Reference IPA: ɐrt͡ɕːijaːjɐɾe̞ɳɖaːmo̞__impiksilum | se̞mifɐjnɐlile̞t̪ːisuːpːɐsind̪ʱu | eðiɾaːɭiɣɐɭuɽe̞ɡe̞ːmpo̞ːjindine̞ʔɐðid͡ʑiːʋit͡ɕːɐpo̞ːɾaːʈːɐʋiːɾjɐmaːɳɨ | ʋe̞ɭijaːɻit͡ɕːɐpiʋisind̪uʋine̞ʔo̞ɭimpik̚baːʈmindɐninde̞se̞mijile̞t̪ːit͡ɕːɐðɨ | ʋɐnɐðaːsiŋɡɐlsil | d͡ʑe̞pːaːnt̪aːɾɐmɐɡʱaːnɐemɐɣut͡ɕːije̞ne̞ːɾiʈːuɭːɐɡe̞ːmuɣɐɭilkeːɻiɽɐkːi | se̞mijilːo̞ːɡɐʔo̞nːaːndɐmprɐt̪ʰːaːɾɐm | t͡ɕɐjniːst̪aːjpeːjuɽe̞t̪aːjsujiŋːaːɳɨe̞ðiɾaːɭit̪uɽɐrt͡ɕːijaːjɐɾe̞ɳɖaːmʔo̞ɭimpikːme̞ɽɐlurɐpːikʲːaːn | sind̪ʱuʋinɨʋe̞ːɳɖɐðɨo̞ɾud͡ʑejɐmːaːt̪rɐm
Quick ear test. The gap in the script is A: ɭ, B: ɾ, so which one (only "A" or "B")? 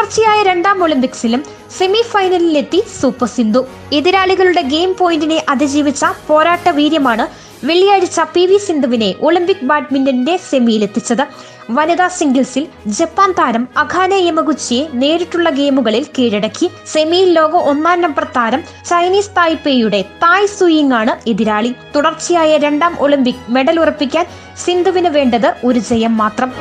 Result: A